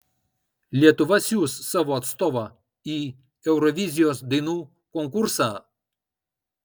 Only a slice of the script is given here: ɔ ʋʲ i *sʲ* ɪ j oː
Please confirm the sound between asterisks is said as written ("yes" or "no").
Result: no